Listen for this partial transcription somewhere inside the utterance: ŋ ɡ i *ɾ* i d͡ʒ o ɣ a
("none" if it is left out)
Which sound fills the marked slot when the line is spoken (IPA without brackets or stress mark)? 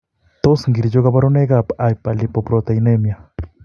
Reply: ɾ